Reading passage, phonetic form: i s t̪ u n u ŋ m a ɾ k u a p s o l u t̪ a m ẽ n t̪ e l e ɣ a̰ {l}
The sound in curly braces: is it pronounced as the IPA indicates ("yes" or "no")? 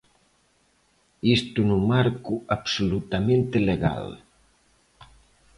yes